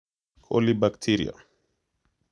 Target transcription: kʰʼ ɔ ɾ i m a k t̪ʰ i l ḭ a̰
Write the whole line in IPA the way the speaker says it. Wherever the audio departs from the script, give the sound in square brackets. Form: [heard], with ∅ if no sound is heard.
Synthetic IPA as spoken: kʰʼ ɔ [l] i [b] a k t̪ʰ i [ɾ] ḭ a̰